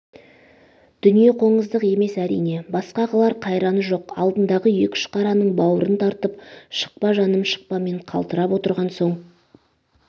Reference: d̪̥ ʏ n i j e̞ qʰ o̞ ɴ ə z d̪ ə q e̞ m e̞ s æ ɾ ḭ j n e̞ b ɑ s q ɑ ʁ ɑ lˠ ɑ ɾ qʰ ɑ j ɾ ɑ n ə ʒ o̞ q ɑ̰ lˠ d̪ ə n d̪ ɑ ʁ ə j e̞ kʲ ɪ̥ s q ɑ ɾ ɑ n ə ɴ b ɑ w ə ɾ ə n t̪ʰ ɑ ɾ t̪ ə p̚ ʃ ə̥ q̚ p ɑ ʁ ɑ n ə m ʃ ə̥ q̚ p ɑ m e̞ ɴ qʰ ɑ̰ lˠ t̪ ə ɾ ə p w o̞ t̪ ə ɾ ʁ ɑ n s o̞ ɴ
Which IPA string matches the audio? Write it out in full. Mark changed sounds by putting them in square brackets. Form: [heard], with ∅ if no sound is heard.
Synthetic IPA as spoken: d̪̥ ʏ n i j e̞ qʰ o̞ ɴ ə z d̪ ə q e̞ m e̞ s æ ɾ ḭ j n e̞ b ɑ s q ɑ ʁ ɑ lˠ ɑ ɾ qʰ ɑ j ɾ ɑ n ə ʒ o̞ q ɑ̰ lˠ d̪ ə n d̪ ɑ ʁ ə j e̞ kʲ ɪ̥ [ʃ] q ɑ ɾ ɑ n ə ɴ b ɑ w ə ɾ ə n t̪ʰ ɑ ɾ t̪ ə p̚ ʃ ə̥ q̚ p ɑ [ʒ] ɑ n ə m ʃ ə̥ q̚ p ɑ m e̞ ɴ qʰ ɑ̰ lˠ t̪ ə ɾ [ɑ] p w o̞ t̪ ə ɾ ʁ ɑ n s o̞ ɴ